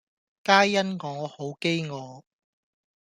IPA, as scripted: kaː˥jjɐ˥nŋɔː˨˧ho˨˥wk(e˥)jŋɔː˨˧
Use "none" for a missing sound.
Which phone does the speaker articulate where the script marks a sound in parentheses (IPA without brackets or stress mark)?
e˥